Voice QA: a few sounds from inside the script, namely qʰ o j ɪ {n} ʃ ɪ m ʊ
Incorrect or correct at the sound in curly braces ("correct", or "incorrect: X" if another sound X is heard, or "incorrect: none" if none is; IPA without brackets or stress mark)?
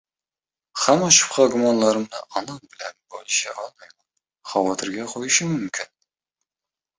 incorrect: none